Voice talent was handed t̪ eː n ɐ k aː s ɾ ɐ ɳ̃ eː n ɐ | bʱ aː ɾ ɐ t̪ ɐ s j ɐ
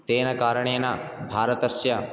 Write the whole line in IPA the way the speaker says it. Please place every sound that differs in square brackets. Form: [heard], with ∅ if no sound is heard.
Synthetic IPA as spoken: t̪ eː n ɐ k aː [∅] ɾ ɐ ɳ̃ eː n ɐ | bʱ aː ɾ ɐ t̪ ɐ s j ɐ

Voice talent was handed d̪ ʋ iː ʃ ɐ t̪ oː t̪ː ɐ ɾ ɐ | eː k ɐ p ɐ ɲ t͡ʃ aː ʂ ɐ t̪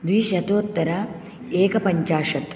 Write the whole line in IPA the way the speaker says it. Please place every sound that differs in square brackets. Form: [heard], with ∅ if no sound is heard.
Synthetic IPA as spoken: d̪ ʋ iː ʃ ɐ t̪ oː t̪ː ɐ ɾ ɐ | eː k ɐ p ɐ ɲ t͡ʃ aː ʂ ɐ t̪

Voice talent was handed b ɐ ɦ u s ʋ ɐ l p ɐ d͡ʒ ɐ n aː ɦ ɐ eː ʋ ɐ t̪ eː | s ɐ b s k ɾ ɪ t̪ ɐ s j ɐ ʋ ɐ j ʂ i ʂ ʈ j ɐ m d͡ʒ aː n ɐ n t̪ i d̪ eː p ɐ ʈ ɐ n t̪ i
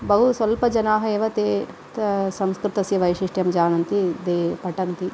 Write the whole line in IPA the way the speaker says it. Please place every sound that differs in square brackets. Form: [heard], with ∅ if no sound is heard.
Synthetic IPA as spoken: b ɐ ɦ u s ʋ ɐ l p ɐ d͡ʒ ɐ n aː ɦ ɐ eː ʋ ɐ t̪ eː | s ɐ [m] s k ɾ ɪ t̪ ɐ s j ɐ ʋ ɐ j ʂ i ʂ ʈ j ɐ m d͡ʒ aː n ɐ n t̪ i d̪ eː p ɐ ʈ ɐ n t̪ i

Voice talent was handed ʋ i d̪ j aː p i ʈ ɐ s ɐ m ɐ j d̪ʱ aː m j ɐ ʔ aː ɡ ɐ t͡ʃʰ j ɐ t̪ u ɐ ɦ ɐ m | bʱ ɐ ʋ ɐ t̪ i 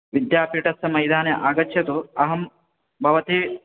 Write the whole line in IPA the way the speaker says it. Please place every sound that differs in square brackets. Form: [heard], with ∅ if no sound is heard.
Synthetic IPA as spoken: ʋ i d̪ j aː p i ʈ ɐ s ɐ m ɐ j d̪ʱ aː [n] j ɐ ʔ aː ɡ ɐ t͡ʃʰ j ɐ t̪ u ɐ ɦ ɐ m | bʱ ɐ ʋ ɐ t̪ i

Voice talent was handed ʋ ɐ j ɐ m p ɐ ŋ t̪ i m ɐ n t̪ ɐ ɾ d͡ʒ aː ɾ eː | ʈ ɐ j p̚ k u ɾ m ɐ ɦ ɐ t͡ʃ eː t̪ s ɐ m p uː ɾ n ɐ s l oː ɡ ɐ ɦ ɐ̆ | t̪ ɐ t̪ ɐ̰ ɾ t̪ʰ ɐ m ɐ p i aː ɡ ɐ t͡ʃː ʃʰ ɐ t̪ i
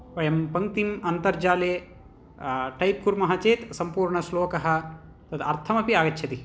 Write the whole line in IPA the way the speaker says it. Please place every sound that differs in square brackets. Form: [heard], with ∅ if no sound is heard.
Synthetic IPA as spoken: ʋ ɐ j ɐ m p ɐ ŋ t̪ i m ɐ n t̪ ɐ ɾ d͡ʒ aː [l] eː | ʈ ɐ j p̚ k u ɾ m ɐ ɦ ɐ t͡ʃ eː t̪ s ɐ m p uː ɾ [ɳ] ɐ s l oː [k] ɐ ɦ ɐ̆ | t̪ ɐ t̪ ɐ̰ ɾ t̪ʰ ɐ m ɐ p i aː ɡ ɐ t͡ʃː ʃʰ ɐ t̪ i

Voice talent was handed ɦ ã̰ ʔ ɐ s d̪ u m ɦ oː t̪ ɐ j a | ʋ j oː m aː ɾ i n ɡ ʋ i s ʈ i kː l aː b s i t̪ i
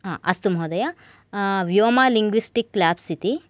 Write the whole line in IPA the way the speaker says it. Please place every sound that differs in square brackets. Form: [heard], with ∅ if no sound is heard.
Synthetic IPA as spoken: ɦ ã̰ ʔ ɐ s [t̪] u m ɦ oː [d̪] ɐ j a | ʋ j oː m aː [l] i [ŋ] ɡ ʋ i s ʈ i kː l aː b s i t̪ i

